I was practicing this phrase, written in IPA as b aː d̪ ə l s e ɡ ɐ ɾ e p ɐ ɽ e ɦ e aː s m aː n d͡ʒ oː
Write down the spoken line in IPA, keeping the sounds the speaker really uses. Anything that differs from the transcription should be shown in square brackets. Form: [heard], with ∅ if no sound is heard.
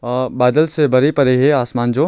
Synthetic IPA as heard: b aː d̪ ə l s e [b] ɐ ɾ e p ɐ [ɾ] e ɦ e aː s m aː n d͡ʒ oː